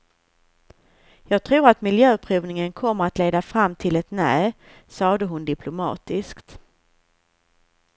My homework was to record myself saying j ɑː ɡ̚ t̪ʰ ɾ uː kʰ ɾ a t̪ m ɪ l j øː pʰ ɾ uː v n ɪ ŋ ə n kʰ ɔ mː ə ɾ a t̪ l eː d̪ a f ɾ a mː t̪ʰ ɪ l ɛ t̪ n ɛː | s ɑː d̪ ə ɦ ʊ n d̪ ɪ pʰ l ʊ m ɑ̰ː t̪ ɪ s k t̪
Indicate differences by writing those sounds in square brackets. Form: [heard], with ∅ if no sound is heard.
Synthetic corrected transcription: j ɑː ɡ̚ t̪ʰ ɾ uː [∅] ɾ a t̪ m ɪ l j øː pʰ ɾ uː v n ɪ ŋ ə n kʰ ɔ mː ə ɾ a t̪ l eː d̪ a f ɾ a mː t̪ʰ ɪ l ɛ t̪ n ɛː | s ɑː d̪ ə ɦ ʊ n d̪ ɪ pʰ l ʊ m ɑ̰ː t̪ ɪ s k t̪